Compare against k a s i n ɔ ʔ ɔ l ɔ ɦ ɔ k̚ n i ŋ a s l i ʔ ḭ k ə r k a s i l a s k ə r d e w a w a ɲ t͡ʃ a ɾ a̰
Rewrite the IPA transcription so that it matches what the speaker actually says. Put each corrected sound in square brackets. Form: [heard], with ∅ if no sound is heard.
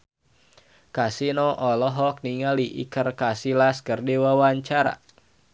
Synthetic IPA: k a s i n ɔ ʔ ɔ l ɔ ɦ ɔ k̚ n i ŋ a [∅] l i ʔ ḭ k ə r k a s i l a s k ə r d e w a w a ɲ t͡ʃ a ɾ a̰